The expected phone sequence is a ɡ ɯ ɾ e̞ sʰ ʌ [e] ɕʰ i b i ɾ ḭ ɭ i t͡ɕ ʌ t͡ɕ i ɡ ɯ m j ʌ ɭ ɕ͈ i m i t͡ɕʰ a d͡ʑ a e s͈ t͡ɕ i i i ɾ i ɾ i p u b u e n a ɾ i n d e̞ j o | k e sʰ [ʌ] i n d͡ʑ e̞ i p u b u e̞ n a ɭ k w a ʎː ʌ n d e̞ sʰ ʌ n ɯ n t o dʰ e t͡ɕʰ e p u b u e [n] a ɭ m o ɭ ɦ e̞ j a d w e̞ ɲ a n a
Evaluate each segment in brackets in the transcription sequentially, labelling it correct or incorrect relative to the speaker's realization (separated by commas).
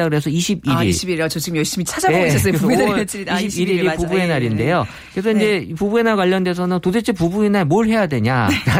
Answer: incorrect, correct, correct